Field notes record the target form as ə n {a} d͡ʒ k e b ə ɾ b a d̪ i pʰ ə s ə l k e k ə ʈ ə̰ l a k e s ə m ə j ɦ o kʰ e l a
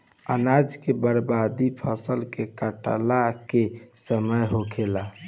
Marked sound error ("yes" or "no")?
no